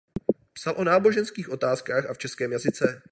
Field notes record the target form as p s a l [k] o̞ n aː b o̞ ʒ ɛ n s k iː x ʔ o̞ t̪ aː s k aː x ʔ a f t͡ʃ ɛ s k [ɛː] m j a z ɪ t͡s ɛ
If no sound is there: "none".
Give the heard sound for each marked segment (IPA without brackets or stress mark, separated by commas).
ʔ, ɛː